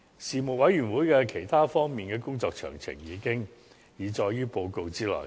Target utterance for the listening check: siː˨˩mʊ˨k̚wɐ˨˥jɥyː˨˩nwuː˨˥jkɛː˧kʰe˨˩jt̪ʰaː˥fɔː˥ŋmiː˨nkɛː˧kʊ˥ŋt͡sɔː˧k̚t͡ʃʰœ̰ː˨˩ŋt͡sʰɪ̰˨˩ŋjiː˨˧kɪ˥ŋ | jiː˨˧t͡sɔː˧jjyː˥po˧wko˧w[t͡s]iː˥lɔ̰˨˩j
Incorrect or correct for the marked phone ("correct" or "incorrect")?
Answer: correct